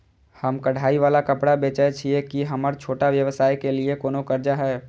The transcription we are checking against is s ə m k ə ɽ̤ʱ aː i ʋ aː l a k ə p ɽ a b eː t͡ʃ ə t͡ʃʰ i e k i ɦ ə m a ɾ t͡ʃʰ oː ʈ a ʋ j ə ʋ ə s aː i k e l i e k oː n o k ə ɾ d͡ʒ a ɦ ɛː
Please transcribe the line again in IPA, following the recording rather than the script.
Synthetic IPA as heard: h ə m k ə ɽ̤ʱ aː i ʋ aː l a k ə p ɽ a b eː t͡ʃ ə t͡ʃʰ i e k i ɦ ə m ə ɾ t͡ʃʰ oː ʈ a ʋ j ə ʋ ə s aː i k e l i e k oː n o k ə ɾ d͡ʒ a ɦ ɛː